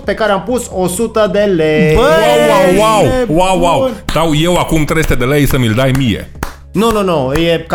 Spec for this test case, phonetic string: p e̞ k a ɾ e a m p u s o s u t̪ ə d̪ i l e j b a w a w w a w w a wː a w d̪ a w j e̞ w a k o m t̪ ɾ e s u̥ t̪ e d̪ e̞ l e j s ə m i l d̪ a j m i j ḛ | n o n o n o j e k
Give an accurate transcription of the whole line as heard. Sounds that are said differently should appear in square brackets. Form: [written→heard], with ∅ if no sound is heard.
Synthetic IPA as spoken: p e̞ k a ɾ e a m p u s o s u t̪ ə d̪ [i→e] l e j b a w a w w a w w a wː a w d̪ a w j e̞ w a k [o→u] m t̪ ɾ e s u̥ t̪ e d̪ e̞ l e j s ə m i l d̪ a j m i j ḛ | n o n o n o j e k